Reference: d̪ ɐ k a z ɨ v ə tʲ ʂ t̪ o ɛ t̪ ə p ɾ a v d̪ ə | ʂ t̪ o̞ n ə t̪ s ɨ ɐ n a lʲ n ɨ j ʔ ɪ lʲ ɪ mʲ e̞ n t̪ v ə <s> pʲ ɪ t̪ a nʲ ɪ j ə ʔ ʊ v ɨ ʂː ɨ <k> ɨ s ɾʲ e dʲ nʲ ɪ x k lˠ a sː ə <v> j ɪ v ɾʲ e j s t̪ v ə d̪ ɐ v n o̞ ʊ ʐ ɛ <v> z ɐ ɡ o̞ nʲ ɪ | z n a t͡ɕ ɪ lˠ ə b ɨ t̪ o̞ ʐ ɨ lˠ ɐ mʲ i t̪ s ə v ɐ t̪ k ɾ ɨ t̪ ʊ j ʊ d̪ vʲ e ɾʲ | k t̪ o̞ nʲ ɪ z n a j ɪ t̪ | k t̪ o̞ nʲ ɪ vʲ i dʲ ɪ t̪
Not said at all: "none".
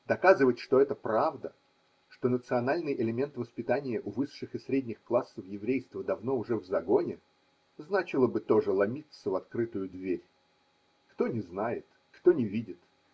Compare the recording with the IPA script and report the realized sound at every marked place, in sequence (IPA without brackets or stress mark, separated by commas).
s, x, f, v